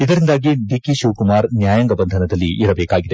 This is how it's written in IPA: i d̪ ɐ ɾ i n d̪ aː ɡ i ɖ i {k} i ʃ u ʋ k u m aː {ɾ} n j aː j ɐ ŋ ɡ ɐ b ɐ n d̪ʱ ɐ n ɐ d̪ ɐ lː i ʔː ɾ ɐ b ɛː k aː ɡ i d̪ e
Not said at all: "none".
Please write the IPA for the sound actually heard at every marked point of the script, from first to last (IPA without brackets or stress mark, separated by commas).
k, ɾ